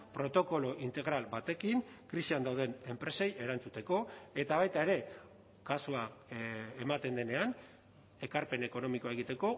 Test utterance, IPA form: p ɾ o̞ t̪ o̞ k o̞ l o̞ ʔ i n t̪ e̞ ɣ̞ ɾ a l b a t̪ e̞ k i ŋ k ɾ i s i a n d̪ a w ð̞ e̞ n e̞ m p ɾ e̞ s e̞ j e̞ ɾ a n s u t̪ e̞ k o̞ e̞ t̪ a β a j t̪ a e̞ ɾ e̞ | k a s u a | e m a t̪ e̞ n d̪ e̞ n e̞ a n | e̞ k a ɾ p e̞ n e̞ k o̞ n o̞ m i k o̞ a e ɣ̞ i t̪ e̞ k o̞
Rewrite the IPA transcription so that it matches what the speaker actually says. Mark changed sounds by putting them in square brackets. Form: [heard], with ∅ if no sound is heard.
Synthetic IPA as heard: p ɾ o̞ t̪ o̞ k o̞ l o̞ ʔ i n t̪ e̞ ɣ̞ ɾ a l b a t̪ e̞ k i ŋ k ɾ i s i a n d̪ a w ð̞ e̞ n e̞ m p ɾ e̞ s e̞ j e̞ ɾ a n [t͡s] u t̪ e̞ k o̞ e̞ t̪ a β a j t̪ a e̞ ɾ e̞ | k a s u a | e m a t̪ e̞ n d̪ e̞ n e̞ a n | e̞ k a ɾ p e̞ n e̞ k o̞ n o̞ m i k o̞ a e ɣ̞ i t̪ e̞ k o̞